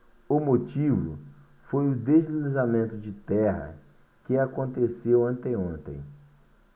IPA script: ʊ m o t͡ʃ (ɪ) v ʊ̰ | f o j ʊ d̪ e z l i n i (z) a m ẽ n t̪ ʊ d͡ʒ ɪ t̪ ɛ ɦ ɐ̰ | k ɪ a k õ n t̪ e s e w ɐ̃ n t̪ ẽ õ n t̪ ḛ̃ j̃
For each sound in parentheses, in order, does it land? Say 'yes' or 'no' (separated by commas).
no, yes